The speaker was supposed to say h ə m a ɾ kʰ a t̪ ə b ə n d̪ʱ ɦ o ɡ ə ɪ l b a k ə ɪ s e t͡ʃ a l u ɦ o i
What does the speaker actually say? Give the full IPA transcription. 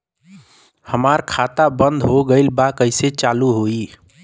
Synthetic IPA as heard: h ə m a ɾ kʰ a t̪ a b ə n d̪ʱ ɦ o ɡ ə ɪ l b a k ə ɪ s e t͡ʃ a l u ɦ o i

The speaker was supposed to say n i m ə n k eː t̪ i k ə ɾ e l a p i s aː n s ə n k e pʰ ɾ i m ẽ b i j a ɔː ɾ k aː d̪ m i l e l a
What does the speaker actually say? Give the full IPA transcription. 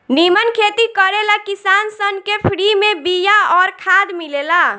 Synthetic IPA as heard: n i m ə n kʰ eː t̪ i k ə ɾ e l a k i s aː n s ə n k e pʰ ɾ i m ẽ b i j a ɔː ɾ kʰ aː d̪ m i l e l a

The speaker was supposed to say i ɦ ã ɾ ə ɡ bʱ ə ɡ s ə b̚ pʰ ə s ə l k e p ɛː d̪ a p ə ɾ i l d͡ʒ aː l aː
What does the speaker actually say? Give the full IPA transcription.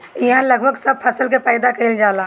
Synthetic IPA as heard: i ɦ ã l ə ɡ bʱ ə ɡ s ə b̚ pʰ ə s ə l k e p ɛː d̪ a k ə ɾ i l d͡ʒ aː l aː

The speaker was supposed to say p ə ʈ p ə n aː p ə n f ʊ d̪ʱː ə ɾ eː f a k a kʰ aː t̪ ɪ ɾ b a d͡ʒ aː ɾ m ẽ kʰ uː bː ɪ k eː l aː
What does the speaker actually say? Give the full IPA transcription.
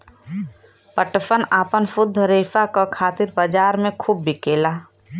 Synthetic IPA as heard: p ə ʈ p ə n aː p ə n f ʊ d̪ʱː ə ɾ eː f a k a kʰ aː t̪ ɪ ɾ b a d͡ʒ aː ɾ m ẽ kʰ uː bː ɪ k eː l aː

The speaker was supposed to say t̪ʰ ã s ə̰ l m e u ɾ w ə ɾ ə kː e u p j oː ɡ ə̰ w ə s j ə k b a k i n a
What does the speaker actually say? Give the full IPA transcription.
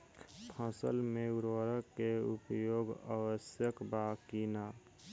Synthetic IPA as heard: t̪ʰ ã s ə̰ l m e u ɾ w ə ɾ ə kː e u p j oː ɡ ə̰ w ə s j ə k b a k i n a

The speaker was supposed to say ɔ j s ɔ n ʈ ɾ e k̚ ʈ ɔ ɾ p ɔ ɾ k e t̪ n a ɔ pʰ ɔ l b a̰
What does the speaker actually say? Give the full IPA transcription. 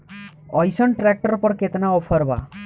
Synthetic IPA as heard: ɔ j s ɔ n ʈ ɾ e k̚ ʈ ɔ ɾ p ɔ ɾ k e t̪ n a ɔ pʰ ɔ ɾ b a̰

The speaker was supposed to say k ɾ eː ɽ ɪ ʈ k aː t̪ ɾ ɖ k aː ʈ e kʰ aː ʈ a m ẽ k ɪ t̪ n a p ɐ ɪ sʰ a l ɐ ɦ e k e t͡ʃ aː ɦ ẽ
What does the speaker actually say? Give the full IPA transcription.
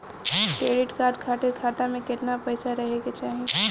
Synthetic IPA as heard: k ɾ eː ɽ ɪ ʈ k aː ɾ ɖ kʰ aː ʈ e kʰ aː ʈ a m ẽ k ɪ t̪ n a p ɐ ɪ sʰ a ɾ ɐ ɦ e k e t͡ʃ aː ɦ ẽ

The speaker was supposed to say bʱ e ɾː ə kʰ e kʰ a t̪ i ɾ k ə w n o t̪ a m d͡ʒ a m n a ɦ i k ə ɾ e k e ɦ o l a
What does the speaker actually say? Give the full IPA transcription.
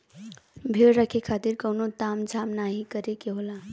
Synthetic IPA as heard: bʱ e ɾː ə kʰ e kʰ a t̪ i ɾ k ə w n o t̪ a m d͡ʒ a m n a ɦ i k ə ɾ e k e ɦ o l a

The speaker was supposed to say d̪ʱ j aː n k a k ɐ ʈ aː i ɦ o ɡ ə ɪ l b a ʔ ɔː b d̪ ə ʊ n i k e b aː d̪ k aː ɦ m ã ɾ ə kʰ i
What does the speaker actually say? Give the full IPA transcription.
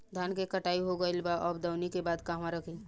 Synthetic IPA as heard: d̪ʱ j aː n k e k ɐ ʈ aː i ɦ o ɡ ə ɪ l b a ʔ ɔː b d̪ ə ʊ n i k e b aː d̪ k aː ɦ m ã ɾ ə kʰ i

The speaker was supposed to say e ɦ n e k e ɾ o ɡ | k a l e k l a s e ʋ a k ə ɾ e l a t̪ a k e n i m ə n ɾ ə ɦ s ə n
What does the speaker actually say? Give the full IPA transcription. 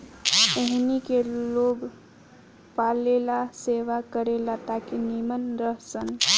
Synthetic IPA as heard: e ɦ n i k e l o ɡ | p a l e l a s e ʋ a k ə ɾ e l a t̪ a k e n i m ə n ɾ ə ɦ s ə n

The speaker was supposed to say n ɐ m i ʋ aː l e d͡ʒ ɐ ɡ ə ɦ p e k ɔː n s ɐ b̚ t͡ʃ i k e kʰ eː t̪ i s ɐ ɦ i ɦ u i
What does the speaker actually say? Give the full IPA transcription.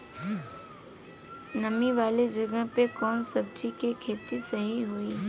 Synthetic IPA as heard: n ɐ m i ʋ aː l e d͡ʒ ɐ ɡ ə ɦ p e k ɔː n s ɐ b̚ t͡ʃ i k e kʰ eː t̪ i s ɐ ɦ i ɦ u i

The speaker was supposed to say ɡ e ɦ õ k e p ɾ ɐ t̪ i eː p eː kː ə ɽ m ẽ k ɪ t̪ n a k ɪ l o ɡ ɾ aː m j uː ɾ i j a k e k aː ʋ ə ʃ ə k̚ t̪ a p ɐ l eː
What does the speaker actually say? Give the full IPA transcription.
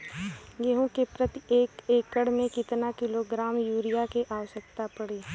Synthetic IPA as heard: ɡ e ɦ õ k e p ɾ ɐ t̪ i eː k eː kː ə ɽ m ẽ k ɪ t̪ n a k ɪ l o ɡ ɾ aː m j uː ɾ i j a k e ʔ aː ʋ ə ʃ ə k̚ t̪ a p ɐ ɽ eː

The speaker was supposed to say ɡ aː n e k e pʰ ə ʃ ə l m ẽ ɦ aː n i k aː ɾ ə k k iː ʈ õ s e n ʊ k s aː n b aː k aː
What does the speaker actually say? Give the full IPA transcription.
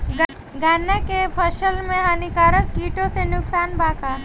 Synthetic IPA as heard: ɡ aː n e k e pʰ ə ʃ ə l m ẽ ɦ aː n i k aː ɾ ə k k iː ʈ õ s e n ʊ k s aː n b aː k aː

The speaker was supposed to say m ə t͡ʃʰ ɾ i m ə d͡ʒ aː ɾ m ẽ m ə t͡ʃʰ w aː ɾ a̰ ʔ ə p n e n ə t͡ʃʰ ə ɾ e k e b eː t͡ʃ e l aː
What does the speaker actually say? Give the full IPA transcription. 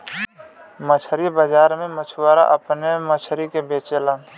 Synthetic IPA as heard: m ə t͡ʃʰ ɾ i b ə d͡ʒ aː ɾ m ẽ m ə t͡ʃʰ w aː ɾ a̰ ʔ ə p n e m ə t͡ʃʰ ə ɾ i k e b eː t͡ʃ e l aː

